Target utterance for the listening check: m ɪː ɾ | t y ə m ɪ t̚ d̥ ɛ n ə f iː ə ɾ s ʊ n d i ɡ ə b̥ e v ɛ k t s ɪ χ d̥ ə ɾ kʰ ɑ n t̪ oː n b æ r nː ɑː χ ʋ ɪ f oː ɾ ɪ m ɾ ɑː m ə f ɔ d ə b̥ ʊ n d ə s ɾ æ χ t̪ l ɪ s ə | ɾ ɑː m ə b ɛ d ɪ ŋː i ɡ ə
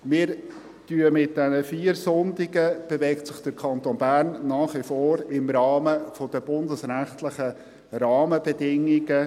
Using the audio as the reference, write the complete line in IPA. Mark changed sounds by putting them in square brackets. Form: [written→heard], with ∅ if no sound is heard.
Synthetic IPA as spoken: m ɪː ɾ | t y ə m ɪ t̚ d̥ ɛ n ə f iː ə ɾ s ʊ n d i ɡ ə b̥ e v ɛ k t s ɪ χ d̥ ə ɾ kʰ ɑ n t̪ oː n b æ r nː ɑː χ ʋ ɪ f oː ɾ ɪ m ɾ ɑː m ə f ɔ d ə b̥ ʊ n d ə s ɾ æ χ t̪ l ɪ [s→χ] ə | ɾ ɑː m ə b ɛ d ɪ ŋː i ɡ ə